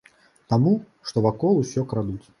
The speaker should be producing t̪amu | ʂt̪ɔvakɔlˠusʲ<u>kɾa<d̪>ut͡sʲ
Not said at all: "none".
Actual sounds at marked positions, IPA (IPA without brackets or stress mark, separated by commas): ɔ, d̪